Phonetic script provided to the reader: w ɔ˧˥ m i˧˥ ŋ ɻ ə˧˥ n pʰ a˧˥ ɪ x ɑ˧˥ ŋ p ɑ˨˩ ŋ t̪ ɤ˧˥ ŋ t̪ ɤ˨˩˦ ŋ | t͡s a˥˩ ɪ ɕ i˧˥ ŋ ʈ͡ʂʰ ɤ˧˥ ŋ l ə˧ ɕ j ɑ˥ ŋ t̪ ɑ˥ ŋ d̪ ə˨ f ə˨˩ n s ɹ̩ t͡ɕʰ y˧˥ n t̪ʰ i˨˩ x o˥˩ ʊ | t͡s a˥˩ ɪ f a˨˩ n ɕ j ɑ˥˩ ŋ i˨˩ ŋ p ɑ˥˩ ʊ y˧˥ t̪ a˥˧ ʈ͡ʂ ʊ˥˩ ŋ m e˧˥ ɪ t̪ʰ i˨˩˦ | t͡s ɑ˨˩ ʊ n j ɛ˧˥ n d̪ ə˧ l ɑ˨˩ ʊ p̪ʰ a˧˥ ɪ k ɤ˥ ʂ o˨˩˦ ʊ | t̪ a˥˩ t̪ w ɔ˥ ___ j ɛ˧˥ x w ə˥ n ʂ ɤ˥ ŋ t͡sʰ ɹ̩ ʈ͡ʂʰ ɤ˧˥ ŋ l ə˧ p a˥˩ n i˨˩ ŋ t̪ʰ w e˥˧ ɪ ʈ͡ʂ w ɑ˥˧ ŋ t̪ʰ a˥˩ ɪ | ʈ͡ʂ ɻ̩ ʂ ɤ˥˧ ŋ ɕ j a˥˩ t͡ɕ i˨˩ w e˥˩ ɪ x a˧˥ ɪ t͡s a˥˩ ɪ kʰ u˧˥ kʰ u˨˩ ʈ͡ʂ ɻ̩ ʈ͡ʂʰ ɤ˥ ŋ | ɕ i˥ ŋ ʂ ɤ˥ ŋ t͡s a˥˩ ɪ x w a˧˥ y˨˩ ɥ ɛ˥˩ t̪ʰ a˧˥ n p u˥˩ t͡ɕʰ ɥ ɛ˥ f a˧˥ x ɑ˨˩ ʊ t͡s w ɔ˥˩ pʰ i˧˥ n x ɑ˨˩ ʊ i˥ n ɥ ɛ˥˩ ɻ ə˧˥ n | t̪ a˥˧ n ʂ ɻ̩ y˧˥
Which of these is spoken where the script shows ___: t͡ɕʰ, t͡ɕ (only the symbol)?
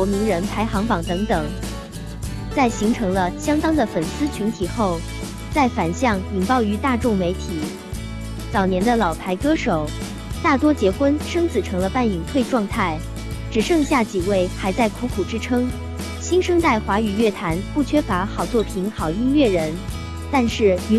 t͡ɕ